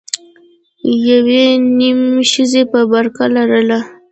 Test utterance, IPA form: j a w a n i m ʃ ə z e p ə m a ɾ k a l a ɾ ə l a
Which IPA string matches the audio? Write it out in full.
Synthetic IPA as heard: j a w e n i m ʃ ə z e p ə b a ɾ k a l a ɾ ə l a